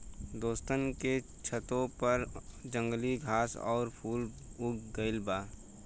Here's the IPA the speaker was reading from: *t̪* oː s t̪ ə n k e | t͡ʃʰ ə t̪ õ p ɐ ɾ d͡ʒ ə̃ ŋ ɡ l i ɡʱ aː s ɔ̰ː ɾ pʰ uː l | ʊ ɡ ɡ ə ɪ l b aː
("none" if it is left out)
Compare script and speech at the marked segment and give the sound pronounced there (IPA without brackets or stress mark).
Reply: d̪